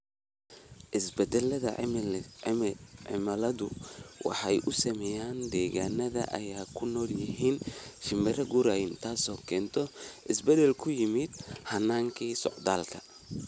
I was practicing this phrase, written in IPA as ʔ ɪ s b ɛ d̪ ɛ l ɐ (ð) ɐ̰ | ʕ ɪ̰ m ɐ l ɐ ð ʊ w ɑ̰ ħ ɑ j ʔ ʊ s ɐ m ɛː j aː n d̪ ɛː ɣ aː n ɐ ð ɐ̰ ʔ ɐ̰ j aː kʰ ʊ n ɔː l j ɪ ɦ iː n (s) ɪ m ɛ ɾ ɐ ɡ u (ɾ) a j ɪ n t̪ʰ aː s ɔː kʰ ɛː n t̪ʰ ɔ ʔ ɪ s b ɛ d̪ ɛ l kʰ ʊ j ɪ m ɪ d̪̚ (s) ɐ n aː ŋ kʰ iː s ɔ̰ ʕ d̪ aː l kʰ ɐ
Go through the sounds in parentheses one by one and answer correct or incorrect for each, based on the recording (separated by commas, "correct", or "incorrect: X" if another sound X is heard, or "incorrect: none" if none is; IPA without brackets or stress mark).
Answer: correct, incorrect: ʃ, correct, incorrect: h